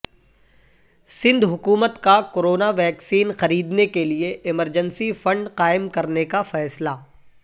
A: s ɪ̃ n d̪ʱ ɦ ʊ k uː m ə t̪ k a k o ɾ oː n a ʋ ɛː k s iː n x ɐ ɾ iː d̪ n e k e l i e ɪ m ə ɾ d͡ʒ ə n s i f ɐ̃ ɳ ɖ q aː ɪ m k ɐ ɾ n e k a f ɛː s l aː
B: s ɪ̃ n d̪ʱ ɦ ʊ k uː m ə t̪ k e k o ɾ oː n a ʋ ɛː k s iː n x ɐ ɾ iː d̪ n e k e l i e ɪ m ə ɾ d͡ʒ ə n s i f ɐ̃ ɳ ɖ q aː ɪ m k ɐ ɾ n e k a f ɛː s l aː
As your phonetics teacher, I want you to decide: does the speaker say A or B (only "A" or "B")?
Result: A